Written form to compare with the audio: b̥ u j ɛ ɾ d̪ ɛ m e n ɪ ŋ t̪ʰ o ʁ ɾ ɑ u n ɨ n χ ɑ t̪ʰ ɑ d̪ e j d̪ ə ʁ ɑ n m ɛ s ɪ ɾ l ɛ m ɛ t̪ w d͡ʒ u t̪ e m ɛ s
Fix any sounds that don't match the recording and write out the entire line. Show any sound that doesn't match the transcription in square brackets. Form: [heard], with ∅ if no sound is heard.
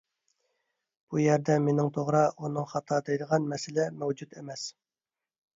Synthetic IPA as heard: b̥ u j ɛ ɾ d̪ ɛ m e n ɪ ŋ t̪ʰ o ʁ ɾ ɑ u n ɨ [ŋ] χ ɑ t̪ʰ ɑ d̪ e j d̪ ə ʁ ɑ n m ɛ s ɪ [∅] l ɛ m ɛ [∅] w d͡ʒ u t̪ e m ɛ s